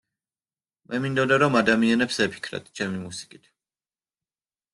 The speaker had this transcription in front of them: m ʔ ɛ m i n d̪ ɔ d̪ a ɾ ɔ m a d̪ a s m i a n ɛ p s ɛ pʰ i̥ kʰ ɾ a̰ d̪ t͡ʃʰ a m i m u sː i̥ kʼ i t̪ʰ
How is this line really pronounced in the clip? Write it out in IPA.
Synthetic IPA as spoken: m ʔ ɛ m i n d̪ ɔ d̪ a ɾ ɔ m a d̪ a m i a n ɛ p s ɛ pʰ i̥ kʰ ɾ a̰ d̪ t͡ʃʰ ɛ m i m u s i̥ kʼ i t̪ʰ

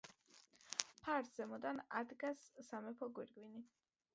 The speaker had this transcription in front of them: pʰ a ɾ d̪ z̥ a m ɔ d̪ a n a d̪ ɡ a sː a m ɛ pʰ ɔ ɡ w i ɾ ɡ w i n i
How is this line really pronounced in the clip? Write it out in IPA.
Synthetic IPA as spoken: pʰ a ɾ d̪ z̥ ɛ m ɔ d̪ a n a d̪ ɡ a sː a m ɛ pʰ ɔ ɡ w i ɾ ɡ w i n i

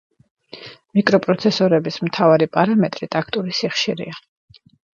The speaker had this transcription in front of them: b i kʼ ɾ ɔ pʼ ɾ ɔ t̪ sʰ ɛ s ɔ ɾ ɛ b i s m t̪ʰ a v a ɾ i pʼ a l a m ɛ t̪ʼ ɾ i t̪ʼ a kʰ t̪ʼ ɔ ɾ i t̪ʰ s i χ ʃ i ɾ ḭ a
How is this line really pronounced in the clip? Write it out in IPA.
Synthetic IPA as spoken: m i kʼ ɾ ɔ pʼ ɾ ɔ t̪ sʰ ɛ s ɔ ɾ ɛ b i s m t̪ʰ a v a ɾ i pʼ a ɾ a m ɛ t̪ʼ ɾ i t̪ʼ a kʰ t̪ʼ u ɾ i s i χ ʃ i ɾ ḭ a

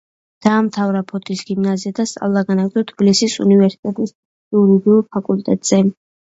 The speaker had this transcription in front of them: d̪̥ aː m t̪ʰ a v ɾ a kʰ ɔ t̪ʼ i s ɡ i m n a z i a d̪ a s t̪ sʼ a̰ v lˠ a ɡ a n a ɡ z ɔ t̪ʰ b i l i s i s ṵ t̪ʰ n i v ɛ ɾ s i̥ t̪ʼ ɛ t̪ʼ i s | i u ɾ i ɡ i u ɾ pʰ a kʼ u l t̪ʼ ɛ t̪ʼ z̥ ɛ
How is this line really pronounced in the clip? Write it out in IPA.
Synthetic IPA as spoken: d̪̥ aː m t̪ʰ a v ɾ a pʰ ɔ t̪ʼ i s ɡ i m n a z i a d̪ a s t̪ sʼ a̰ v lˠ a ɡ a n a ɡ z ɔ t̪ʰ b i l i s i s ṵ n i v ɛ ɾ s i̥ t̪ʼ ɛ t̪ʼ i s | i u ɾ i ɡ i u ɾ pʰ a kʼ u l t̪ʼ ɛ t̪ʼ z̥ ɛ

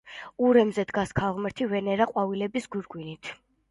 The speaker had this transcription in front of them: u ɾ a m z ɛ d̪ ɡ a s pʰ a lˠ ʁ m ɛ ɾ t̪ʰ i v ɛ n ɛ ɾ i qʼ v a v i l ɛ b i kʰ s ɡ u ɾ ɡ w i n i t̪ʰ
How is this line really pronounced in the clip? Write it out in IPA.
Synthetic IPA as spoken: u ɾ ɛ m z ɛ d̪ ɡ a s kʰ a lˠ ʁ m ɛ ɾ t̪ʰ i v ɛ n ɛ ɾ a qʼ w a v i l ɛ b i s ɡ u ɾ ɡ w i n i t̪ʰ

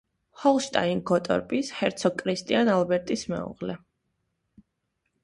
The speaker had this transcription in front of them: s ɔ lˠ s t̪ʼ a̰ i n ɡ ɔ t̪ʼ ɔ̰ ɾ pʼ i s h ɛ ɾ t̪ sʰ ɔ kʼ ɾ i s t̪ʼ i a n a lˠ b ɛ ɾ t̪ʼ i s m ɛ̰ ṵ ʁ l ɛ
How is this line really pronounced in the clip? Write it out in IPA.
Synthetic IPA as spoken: h ɔ lˠ ʃ t̪ʼ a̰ i n ɡ ɔ t̪ʼ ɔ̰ ɾ pʼ i s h ɛ ɾ t̪ sʰ ɔ kʼ ɾ i s t̪ʼ i a n a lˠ b ɛ ɾ t̪ʼ i s m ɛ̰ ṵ ʁ l ɛ

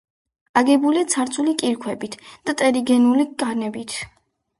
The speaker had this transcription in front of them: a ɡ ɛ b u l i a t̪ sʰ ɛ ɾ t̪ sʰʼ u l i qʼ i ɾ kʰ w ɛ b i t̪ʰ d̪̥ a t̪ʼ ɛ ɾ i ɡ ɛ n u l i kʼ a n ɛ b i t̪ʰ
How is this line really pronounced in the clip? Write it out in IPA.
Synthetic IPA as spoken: a ɡ ɛ b u l i a t̪ sʰ a ɾ t̪ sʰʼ u l i kʼ i ɾ kʰ w ɛ b i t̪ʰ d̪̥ a t̪ʼ ɛ ɾ i ɡ ɛ n u l i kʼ a n ɛ b i t̪ʰ

